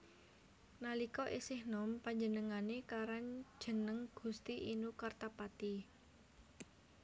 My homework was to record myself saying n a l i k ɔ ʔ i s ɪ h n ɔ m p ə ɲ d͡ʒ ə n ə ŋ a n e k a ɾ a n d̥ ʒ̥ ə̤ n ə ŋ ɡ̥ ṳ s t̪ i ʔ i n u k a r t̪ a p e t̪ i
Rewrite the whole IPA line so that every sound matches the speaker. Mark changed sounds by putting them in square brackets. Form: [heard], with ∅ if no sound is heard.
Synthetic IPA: n a l i k ɔ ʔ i s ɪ h n ɔ m p [a] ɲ d͡ʒ ə n ə ŋ a n e k a ɾ a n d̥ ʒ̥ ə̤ n ə ŋ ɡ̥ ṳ s t̪ i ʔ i n u k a r t̪ a p [a] t̪ i